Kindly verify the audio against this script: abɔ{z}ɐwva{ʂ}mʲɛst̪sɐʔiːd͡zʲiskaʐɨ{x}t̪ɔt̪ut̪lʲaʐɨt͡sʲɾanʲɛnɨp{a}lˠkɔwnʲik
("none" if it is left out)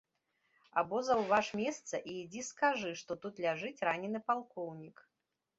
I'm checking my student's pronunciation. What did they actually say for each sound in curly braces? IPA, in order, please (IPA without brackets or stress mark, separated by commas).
z, ʂ, ʂ, a